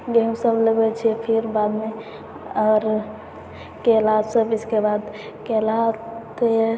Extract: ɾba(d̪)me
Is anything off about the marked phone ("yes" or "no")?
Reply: no